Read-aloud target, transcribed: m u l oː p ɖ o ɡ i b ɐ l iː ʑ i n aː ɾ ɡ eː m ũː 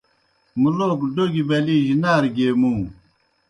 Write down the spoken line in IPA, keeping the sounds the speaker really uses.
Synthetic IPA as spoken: m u l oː k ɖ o ɡ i b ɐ l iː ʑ i n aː ɾ ɡ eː m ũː